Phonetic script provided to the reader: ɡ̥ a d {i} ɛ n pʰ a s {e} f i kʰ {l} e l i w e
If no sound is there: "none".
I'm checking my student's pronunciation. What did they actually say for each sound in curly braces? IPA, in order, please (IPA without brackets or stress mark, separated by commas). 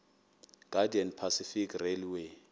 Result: i, i, r